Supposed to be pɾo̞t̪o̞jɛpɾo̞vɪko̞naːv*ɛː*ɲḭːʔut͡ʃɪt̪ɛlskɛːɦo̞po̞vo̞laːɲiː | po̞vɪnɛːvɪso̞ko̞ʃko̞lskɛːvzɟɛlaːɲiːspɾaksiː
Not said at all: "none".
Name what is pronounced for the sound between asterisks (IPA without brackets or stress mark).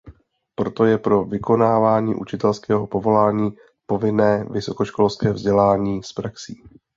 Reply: aː